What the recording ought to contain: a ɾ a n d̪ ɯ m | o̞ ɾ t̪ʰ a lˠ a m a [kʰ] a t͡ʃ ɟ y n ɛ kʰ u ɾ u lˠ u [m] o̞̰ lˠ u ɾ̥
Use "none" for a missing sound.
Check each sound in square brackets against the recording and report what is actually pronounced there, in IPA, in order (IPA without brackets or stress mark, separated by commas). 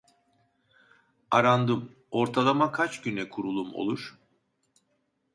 kʰ, m